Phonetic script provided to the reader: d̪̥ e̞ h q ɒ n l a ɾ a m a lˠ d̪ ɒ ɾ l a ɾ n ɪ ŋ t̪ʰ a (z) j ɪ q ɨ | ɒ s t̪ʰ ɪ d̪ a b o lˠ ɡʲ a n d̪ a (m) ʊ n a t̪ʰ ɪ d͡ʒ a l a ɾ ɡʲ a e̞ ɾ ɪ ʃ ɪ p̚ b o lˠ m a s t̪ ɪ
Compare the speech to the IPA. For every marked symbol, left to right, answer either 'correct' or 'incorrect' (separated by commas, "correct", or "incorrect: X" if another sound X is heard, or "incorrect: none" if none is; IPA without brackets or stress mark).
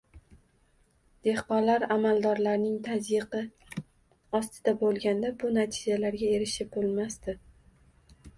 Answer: correct, incorrect: b